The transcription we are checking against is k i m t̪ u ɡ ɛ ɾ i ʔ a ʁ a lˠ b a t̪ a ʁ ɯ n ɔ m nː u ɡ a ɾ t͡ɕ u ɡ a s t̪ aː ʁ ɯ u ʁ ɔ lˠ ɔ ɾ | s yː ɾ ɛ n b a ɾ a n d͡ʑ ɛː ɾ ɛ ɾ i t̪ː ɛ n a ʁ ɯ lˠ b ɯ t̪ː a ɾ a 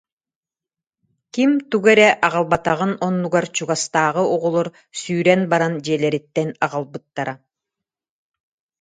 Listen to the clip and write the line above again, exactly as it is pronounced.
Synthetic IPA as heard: k i m t̪ u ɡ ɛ ɾ ɛ ʔ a ʁ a lˠ b a t̪ a ʁ ɯ n ɔ nː u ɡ a ɾ t͡ɕ u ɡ a s t̪ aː ʁ ɯ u ʁ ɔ lˠ ɔ ɾ | s yː ɾ ɛ n b a ɾ a n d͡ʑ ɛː l ɛ ɾ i t̪ː ɛ n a ʁ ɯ lˠ b ɯ t̪ː a ɾ a